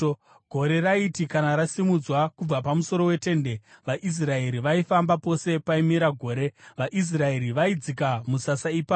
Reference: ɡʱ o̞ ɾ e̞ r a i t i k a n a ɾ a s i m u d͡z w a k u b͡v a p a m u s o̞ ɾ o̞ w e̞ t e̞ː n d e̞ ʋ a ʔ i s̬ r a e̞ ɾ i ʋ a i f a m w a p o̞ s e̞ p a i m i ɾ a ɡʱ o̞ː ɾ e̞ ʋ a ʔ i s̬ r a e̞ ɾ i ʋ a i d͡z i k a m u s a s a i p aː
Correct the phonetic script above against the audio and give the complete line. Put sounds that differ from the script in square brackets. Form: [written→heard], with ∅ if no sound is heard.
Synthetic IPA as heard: ɡʱ o̞ ɾ e̞ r a i t i k a n a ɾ a s i m u d͡z w a k u b͡v a p a m u s o̞ ɾ o̞ w e̞ t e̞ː n d e̞ ʋ a ʔ i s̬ r a e̞ ɾ i ʋ a i f a m [w→b] a p o̞ s e̞ p a i m i ɾ a ɡʱ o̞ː ɾ e̞ ʋ a ʔ i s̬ r a e̞ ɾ i ʋ a i d͡z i k a m u s a s a i p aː